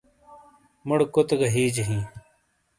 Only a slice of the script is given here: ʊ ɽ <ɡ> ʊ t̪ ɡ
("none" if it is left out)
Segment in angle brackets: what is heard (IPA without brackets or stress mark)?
k